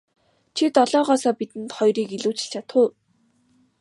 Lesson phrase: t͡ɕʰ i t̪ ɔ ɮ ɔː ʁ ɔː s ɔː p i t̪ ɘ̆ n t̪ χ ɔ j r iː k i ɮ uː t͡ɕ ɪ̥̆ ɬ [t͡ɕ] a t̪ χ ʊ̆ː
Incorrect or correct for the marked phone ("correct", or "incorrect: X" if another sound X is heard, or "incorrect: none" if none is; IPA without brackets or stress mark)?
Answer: incorrect: t͡ɕʰ